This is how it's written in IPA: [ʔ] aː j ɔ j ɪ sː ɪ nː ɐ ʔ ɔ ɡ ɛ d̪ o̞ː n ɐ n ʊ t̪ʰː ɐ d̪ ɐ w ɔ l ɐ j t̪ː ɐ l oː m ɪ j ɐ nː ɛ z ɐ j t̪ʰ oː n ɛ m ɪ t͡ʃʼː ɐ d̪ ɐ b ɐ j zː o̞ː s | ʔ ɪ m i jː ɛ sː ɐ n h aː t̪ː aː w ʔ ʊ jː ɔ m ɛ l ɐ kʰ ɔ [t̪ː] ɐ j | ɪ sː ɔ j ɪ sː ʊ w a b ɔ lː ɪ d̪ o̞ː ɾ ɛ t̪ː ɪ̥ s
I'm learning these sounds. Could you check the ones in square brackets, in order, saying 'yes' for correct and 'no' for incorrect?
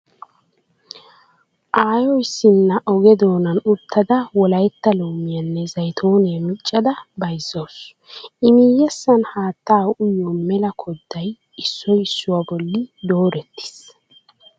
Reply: yes, no

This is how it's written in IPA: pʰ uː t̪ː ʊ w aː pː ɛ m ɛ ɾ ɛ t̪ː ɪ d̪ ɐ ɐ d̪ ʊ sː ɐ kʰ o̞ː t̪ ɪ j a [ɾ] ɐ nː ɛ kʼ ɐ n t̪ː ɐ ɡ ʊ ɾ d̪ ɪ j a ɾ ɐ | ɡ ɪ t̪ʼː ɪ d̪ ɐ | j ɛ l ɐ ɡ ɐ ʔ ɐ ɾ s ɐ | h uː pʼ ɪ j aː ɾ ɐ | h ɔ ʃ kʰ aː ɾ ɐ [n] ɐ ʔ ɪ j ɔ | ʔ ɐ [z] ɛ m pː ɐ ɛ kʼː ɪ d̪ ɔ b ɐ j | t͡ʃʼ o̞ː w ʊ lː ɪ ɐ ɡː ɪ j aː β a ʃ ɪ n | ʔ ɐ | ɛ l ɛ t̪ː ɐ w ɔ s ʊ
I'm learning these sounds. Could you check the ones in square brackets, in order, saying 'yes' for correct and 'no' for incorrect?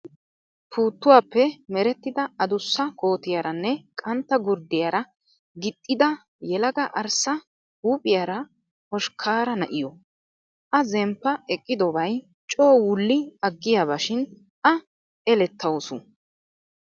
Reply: yes, yes, yes

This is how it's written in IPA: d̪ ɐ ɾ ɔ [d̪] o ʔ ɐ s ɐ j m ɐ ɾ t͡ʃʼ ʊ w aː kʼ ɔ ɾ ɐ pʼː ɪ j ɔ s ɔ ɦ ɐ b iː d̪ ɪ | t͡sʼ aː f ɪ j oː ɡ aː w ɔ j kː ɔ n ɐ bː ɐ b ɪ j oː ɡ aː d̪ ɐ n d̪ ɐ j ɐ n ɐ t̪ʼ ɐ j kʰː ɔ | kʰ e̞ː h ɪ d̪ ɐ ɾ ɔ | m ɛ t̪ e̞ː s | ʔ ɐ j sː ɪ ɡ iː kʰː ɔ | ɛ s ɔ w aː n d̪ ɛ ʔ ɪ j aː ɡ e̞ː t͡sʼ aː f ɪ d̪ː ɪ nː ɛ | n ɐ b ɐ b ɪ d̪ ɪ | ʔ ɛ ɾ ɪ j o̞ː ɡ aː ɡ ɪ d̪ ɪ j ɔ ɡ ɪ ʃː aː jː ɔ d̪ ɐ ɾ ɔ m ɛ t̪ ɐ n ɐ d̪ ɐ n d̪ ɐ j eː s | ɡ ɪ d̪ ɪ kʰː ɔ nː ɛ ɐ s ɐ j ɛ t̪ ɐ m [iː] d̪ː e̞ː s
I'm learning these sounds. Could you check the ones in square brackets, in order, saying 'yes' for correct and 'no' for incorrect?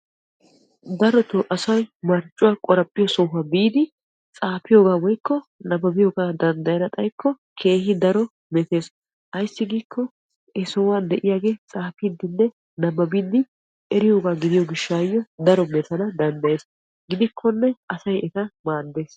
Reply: no, no

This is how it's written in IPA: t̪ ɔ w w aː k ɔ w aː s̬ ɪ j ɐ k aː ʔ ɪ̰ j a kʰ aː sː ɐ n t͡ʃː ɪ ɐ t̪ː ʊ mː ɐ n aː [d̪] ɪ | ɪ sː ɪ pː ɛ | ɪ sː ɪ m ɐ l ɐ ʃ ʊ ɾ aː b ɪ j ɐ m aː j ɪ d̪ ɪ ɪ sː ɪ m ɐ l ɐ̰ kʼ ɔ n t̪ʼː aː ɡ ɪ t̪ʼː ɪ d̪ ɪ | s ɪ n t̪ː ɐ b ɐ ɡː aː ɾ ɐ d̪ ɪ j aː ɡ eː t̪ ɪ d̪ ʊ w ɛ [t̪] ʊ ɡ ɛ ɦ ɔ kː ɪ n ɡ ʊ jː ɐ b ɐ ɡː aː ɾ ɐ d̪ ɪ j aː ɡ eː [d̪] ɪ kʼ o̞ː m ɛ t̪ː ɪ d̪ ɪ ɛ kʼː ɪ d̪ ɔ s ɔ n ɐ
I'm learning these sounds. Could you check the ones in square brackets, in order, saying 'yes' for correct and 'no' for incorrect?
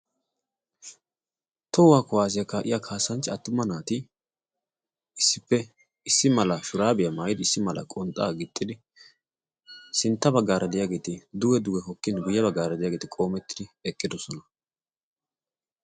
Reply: no, no, no

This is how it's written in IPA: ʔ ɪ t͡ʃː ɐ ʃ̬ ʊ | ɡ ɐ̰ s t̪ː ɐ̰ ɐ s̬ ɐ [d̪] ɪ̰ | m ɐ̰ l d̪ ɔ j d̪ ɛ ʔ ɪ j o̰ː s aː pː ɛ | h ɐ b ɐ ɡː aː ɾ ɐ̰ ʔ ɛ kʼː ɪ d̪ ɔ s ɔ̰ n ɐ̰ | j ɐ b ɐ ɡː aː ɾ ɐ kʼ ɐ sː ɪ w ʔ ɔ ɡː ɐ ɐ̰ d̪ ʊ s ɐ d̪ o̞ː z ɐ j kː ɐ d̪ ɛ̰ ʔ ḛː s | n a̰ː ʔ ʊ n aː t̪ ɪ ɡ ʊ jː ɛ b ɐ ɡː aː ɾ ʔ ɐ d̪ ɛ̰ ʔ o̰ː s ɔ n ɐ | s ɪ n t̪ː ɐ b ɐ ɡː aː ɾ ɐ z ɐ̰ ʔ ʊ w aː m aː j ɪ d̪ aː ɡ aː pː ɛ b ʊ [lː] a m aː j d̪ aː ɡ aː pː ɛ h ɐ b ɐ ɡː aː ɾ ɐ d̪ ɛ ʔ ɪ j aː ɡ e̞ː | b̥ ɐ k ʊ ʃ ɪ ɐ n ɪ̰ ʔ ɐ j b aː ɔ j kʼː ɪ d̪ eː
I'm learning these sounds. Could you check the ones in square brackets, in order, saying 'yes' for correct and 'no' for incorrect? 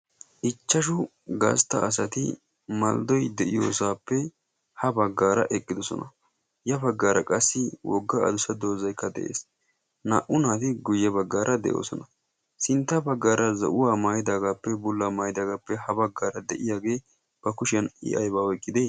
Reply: no, yes

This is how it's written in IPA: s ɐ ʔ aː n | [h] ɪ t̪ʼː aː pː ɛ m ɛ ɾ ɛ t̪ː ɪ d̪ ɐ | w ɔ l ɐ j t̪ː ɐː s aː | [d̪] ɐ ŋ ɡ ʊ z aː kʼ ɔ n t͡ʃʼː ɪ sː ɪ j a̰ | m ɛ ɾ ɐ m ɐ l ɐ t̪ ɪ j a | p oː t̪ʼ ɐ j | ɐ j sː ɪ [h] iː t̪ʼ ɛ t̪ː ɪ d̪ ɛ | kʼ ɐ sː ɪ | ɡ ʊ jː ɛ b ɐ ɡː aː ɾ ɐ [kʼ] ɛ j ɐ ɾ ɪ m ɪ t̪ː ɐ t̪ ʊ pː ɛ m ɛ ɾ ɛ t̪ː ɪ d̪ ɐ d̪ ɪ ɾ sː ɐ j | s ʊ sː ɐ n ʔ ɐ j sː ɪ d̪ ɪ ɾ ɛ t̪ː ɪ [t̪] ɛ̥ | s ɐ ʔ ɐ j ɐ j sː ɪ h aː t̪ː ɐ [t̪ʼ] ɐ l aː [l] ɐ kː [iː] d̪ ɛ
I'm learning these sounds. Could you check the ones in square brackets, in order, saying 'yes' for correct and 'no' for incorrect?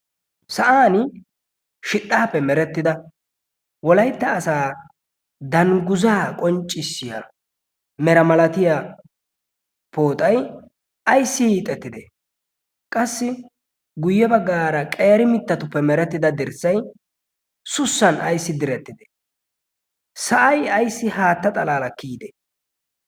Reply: no, yes, yes, yes, no, yes, yes, yes

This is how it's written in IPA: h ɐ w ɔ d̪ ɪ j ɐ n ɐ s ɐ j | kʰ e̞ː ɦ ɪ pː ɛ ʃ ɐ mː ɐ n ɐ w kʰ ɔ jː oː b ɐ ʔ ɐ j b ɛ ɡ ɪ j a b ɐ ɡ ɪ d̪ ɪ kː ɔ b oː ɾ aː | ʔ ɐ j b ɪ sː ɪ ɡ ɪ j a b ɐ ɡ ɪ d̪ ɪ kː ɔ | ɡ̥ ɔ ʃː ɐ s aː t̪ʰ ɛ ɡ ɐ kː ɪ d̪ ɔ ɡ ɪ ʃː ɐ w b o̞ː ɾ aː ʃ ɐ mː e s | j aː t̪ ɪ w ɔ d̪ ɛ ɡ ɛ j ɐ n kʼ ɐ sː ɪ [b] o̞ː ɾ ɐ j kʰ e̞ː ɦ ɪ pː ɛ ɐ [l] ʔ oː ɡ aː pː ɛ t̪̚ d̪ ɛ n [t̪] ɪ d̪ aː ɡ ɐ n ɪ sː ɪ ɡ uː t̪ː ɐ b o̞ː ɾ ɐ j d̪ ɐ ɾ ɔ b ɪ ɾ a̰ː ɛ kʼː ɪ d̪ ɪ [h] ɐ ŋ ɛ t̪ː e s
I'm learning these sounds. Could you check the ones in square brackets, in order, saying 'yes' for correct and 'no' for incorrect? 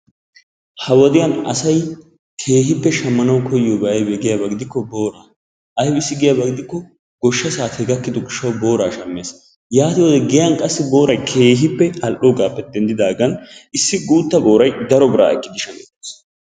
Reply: yes, yes, no, no

